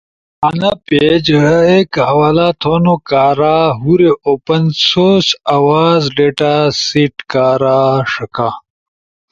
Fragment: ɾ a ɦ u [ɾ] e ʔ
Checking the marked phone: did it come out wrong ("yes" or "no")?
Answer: no